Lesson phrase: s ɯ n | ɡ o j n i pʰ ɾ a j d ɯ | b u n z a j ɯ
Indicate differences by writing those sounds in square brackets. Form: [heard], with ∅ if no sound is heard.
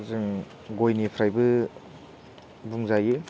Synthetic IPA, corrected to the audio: [z] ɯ [ŋ] | ɡ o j n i pʰ ɾ a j [b] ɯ | b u [ŋ] z a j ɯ

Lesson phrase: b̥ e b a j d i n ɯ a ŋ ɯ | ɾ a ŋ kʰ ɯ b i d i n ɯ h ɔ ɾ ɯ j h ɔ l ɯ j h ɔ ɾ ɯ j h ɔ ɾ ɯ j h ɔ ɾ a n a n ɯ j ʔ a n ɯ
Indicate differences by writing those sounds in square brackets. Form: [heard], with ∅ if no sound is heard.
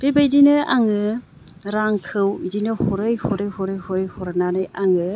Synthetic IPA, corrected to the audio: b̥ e b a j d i n ɯ a ŋ ɯ | ɾ a ŋ kʰ ɯ [w] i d i n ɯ h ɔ ɾ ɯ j h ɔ [ɾ] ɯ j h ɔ ɾ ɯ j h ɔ ɾ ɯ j h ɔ ɾ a n a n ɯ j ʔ a [ŋ] ɯ

